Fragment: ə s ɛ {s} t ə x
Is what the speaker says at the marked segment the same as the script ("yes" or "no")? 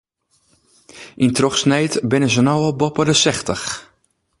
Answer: no